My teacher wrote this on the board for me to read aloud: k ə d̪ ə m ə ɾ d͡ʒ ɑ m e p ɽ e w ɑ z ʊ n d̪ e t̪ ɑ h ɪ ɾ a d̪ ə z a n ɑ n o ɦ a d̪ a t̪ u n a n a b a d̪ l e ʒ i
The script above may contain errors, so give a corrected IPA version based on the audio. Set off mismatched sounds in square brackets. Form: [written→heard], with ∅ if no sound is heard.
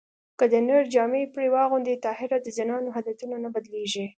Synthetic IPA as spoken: k ə d̪ ə [m→n] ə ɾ d͡ʒ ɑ m e p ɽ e w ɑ [z→ɣ] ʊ n d̪ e t̪ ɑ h ɪ ɾ a d̪ ə z a n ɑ n o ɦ a d̪ a t̪ u n a n a b a d̪ l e ʒ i